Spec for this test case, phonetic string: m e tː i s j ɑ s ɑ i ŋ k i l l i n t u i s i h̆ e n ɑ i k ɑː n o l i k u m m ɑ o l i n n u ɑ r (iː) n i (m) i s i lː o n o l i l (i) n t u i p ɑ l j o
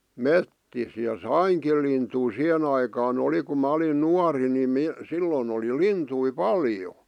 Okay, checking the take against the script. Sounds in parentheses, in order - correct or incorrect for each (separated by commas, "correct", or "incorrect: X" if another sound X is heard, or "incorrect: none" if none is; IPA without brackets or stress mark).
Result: incorrect: i, correct, correct